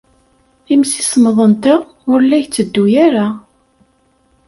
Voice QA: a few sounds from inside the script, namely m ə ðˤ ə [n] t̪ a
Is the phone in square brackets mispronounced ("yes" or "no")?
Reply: no